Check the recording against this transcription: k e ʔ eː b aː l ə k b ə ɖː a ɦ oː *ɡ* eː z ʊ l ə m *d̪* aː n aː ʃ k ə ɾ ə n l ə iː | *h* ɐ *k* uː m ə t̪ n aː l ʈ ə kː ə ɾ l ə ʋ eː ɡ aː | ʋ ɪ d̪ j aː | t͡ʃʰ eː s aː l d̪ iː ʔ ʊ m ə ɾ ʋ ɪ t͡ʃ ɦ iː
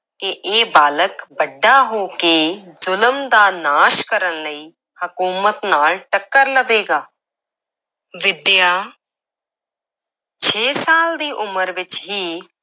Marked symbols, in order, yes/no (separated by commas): no, yes, yes, yes